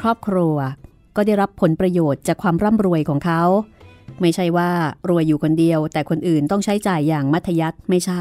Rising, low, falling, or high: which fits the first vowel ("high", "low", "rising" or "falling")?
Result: falling